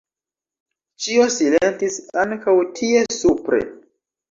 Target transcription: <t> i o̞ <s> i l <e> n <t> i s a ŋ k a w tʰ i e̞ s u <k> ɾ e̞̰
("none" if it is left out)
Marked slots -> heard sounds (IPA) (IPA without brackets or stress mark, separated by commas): t͡ʃ, s, e, t, p